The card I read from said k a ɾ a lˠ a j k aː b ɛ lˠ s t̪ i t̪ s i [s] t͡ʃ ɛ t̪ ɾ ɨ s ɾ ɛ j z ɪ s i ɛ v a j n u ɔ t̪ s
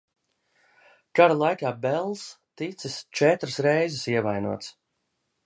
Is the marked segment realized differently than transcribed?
no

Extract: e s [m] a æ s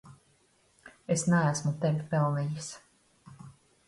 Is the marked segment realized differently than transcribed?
yes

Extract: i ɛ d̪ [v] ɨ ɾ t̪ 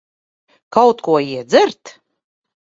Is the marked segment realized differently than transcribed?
yes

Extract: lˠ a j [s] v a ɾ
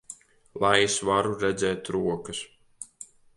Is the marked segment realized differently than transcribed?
no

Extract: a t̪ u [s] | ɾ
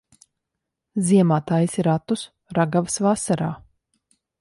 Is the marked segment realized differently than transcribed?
no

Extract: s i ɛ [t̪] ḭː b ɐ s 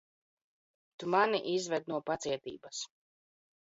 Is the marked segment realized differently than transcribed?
no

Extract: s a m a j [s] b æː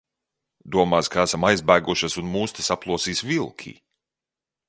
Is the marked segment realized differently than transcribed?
yes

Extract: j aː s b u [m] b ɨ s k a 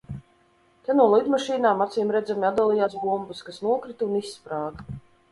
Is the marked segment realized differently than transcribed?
no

